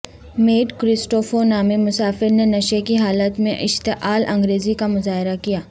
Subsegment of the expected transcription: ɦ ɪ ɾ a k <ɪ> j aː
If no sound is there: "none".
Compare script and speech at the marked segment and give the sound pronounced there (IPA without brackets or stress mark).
i